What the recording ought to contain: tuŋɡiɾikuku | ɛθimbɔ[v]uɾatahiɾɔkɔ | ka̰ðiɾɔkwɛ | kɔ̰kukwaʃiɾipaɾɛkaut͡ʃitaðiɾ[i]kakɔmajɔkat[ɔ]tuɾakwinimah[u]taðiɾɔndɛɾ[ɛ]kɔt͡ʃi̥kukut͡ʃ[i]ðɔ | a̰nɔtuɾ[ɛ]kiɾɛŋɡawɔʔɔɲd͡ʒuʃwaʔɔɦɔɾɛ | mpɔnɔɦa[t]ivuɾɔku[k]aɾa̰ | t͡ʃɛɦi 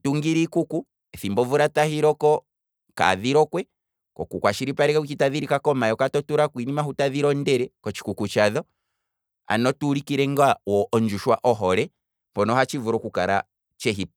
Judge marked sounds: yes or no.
yes, yes, yes, yes, yes, no, no, no, yes

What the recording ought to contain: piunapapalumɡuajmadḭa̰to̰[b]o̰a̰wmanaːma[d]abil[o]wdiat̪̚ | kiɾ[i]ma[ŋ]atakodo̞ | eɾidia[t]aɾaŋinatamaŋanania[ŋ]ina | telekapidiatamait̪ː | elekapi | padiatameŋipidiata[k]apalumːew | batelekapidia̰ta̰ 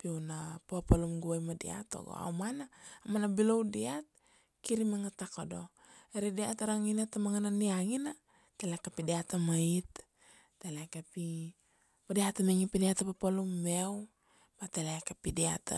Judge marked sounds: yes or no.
no, no, yes, yes, yes, yes, yes, no

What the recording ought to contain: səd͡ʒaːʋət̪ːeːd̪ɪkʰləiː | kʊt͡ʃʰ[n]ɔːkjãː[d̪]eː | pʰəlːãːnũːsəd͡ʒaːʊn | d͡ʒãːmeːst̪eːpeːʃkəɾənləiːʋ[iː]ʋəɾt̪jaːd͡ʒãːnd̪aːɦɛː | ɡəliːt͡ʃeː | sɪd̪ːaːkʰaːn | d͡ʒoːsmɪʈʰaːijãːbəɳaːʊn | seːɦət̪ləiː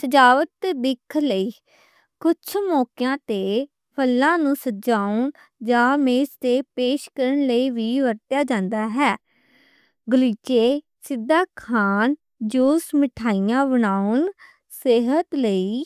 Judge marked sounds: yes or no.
no, no, yes

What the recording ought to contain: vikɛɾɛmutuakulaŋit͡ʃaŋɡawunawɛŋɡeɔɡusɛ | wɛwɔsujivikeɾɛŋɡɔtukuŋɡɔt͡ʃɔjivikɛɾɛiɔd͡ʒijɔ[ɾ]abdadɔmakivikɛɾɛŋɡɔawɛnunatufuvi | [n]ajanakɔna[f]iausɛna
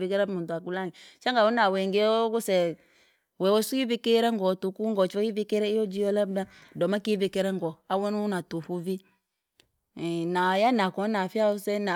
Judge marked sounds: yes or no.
no, yes, yes

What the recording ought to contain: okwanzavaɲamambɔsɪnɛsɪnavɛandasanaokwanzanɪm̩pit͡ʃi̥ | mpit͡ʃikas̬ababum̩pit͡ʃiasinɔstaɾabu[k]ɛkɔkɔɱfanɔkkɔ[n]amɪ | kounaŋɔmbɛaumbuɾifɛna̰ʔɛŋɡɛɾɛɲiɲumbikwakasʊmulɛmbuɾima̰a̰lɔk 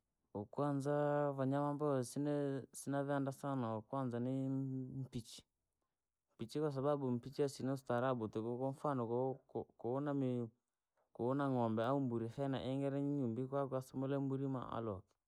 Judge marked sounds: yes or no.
no, yes

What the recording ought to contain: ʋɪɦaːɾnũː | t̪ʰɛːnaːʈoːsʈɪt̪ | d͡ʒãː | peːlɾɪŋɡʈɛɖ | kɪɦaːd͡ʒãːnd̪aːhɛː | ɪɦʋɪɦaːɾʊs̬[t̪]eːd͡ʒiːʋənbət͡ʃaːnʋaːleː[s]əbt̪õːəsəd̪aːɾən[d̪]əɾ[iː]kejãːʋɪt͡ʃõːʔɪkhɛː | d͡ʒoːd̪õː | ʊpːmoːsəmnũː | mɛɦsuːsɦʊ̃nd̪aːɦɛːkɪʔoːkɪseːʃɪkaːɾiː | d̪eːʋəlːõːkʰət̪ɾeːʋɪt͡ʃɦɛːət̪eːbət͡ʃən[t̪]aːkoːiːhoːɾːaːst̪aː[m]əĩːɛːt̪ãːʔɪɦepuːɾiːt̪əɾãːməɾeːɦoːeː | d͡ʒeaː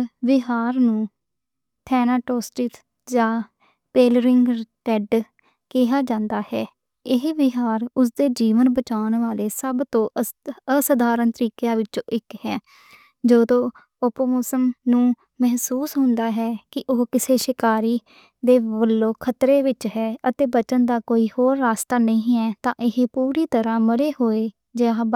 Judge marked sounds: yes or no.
no, yes, no, yes, no, no

